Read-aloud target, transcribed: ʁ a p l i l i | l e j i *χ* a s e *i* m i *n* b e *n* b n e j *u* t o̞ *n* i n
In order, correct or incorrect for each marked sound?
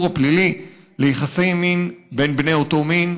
correct, incorrect: j, correct, correct, incorrect: o, incorrect: m

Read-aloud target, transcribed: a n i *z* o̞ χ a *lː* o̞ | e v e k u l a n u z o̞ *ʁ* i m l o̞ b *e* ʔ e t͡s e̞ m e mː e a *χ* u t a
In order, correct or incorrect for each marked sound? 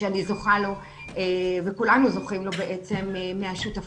correct, incorrect: l, incorrect: χ, correct, incorrect: ʃ

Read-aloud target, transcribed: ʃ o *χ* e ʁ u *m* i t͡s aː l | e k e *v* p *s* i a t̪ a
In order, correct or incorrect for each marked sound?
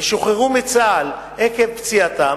correct, correct, correct, incorrect: t͡s

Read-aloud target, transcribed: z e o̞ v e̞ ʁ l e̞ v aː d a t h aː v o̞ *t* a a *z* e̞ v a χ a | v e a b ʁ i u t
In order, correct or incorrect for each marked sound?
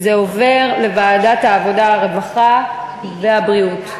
incorrect: d, incorrect: ʁ

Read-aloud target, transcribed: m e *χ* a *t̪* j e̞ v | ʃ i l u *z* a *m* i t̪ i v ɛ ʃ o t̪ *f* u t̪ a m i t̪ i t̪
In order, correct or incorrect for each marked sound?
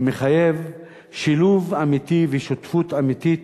correct, incorrect: none, incorrect: v, correct, correct

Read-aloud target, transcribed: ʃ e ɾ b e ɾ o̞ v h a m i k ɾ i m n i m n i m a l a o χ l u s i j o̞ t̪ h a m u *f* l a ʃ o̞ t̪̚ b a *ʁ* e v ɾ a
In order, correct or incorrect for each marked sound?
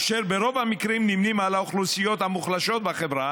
incorrect: χ, incorrect: χ

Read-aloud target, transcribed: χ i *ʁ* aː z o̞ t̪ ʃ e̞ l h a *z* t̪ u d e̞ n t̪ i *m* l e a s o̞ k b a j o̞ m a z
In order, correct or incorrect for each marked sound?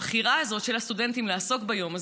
correct, incorrect: s, correct

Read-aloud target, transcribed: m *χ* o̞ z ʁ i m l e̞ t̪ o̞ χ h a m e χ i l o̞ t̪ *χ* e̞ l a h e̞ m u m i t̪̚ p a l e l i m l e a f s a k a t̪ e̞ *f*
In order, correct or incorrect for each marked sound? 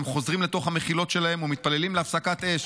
correct, incorrect: ʃ, incorrect: ʃ

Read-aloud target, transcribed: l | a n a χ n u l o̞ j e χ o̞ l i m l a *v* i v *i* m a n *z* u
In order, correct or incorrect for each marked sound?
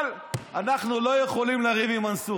incorrect: ʁ, correct, incorrect: s

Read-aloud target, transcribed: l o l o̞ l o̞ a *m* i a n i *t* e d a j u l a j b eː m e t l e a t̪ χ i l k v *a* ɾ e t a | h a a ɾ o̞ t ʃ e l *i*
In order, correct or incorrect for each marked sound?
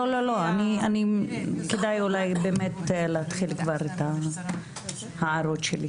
incorrect: n, incorrect: k, correct, correct

